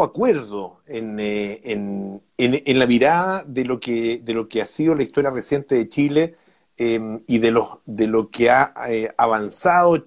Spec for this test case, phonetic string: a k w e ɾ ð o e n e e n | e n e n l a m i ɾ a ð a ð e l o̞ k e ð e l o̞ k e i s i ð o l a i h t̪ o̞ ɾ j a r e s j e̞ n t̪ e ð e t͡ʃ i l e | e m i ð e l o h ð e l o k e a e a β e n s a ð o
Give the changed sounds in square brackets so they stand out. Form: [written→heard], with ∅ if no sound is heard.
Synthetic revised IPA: a k w e ɾ ð o e n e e n | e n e n l a m i ɾ a ð a ð e l o̞ k e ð e l o̞ k e [i→a] s i ð o l a i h t̪ o̞ ɾ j a r e s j e̞ n t̪ e ð e t͡ʃ i l e | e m i ð e l o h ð e l o k e a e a β [e→a] n s a ð o